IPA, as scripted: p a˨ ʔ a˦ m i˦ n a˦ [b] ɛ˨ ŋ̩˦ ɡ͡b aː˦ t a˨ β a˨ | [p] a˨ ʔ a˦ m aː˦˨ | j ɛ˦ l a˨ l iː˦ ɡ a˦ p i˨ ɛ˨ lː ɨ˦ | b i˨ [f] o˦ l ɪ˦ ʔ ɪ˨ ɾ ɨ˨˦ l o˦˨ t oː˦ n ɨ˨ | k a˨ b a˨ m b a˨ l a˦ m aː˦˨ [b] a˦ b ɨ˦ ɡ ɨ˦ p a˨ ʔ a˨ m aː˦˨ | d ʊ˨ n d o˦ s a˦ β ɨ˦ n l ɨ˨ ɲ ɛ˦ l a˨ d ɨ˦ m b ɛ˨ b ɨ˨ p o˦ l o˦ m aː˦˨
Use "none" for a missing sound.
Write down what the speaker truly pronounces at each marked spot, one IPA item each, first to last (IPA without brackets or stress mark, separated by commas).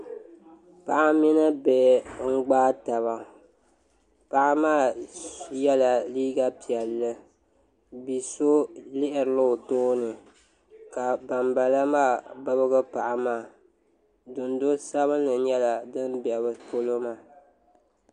b, p, s, b